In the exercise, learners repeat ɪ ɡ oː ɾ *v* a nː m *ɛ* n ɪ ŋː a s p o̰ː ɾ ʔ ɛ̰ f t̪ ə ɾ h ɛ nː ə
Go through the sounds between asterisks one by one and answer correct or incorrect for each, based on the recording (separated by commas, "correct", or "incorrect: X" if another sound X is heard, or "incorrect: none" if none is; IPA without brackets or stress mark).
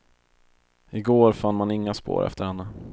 incorrect: f, incorrect: a